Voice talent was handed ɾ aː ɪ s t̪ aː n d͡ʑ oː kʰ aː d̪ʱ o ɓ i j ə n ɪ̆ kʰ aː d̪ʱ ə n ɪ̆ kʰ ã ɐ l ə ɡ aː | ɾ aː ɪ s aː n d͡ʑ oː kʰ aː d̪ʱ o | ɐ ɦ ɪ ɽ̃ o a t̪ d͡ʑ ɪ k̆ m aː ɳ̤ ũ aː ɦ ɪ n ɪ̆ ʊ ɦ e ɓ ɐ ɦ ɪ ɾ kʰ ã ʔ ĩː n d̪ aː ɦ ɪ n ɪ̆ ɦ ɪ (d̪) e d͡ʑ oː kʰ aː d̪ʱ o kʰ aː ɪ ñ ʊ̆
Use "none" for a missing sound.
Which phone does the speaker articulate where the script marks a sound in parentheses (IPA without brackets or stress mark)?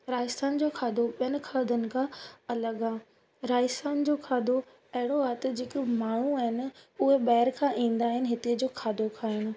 t̪